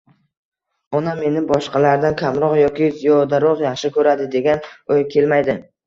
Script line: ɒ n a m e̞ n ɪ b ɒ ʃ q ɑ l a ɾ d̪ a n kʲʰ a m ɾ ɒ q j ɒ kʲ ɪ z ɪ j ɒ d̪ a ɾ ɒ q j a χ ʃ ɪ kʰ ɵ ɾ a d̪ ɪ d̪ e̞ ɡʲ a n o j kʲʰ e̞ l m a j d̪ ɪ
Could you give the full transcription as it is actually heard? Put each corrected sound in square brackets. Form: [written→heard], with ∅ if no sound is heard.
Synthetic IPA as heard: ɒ n a m e̞ n ɪ b ɒ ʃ q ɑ l a ɾ d̪ a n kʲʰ a m ɾ ɒ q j ɒ kʲ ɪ z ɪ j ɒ d̪ a ɾ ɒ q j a χ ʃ ɪ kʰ ɵ ɾ a d̪ ɪ d̪ e̞ ɡʲ a n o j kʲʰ e̞ l m a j d̪ ɪ

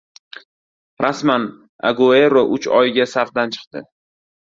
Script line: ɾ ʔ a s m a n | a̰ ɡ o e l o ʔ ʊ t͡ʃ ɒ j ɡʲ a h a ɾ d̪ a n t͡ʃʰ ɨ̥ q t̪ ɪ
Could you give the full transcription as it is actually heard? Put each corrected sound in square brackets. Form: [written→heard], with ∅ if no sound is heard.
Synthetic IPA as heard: ɾ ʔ a s m a n | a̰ ɡ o e [l→ɾ] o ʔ ʊ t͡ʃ ɒ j ɡʲ a [h→s] a ɾ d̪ a n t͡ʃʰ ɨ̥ q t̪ ɪ

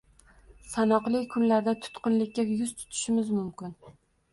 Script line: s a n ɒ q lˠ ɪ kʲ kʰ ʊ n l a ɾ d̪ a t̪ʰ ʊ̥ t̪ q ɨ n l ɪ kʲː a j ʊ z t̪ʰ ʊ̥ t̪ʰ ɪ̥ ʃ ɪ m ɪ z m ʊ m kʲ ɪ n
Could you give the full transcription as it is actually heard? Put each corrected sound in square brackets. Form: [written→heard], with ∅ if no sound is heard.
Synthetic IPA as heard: s a n ɒ q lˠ ɪ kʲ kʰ ʊ n l a ɾ d̪ a t̪ʰ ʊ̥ t̪ q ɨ n l ɪ kʲː a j ʊ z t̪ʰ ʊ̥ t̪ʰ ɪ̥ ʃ ɪ m ɪ z m ʊ m kʲ ɪ n

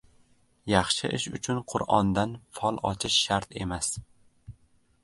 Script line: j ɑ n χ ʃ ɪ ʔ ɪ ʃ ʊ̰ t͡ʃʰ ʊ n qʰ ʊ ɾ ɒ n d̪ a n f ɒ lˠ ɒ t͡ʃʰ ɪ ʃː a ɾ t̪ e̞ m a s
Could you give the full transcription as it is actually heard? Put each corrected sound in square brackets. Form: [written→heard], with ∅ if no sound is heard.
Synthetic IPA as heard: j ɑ [n→∅] χ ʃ ɪ ʔ ɪ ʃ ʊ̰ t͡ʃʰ ʊ n qʰ ʊ ɾ ɒ n d̪ a n f ɒ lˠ ɒ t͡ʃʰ ɪ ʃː a ɾ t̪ e̞ m a s

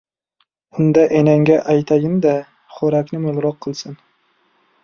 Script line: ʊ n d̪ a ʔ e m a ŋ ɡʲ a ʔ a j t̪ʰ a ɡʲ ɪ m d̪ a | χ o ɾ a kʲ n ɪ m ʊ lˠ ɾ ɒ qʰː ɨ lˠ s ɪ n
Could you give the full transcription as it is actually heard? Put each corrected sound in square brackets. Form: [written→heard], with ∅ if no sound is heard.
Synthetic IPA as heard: ʊ n d̪ a ʔ e [m→n] a ŋ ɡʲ a ʔ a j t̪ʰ a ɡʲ ɪ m d̪ a | χ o ɾ a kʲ n ɪ m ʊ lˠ ɾ ɒ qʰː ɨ lˠ s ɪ n

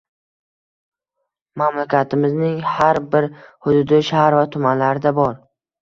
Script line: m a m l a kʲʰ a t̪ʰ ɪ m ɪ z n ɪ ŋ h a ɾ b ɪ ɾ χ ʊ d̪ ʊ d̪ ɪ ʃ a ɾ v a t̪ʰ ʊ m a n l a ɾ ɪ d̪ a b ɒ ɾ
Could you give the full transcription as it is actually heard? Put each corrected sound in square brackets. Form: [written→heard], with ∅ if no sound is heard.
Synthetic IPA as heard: m a m l a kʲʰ a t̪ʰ ɪ m ɪ z n ɪ ŋ h a ɾ b ɪ ɾ [χ→h] ʊ d̪ ʊ d̪ ɪ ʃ a ɾ v a t̪ʰ ʊ m a n l a ɾ ɪ d̪ a b ɒ ɾ

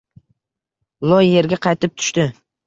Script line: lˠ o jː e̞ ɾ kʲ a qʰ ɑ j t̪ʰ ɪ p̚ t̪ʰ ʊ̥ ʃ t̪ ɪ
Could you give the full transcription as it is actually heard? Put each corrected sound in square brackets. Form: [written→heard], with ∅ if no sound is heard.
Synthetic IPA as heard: lˠ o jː e̞ ɾ [kʲ→ɡʲ] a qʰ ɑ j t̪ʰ ɪ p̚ t̪ʰ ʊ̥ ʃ t̪ ɪ

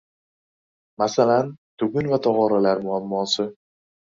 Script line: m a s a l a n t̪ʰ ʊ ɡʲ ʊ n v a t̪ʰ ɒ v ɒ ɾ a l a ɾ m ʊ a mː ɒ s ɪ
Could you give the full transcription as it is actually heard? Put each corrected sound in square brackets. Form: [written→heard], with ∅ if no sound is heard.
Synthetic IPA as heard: m a s a l a n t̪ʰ ʊ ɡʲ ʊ n v a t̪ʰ ɒ [v→ʁ] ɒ ɾ a l a ɾ m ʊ a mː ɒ s ɪ

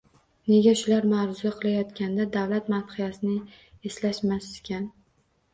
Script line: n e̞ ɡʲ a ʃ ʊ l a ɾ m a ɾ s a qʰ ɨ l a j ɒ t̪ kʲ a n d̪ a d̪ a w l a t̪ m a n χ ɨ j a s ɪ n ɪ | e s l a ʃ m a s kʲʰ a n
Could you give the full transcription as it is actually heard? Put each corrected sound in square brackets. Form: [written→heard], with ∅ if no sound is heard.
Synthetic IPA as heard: n e̞ ɡʲ a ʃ ʊ l a ɾ m a ɾ [s→z] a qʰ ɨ l a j ɒ t̪ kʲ a n d̪ a d̪ a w l a t̪ m a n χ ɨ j a s ɪ n ɪ | e s l a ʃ m a s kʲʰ a n

